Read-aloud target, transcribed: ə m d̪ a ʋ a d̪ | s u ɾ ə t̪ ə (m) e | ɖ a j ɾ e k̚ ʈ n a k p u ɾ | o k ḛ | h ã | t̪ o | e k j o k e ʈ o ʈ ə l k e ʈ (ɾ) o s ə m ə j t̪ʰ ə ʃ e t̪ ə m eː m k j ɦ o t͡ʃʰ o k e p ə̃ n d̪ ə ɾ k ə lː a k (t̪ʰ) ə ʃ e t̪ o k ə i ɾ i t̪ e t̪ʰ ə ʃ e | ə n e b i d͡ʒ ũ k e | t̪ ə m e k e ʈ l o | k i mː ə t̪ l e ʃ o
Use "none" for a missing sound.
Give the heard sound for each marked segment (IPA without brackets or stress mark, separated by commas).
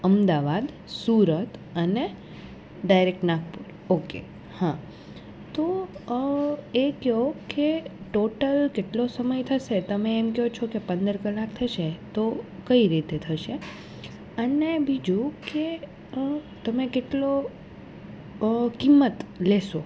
n, l, t̪ʰ